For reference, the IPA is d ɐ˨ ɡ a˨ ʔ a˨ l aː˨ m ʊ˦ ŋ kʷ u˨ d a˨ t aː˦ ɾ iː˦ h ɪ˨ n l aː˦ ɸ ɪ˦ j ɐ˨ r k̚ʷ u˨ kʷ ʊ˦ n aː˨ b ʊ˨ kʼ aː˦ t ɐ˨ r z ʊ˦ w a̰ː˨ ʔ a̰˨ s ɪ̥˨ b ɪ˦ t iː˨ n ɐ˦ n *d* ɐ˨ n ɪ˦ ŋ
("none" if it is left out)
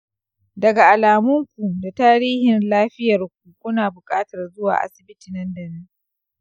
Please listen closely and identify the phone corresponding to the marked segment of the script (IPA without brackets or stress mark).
d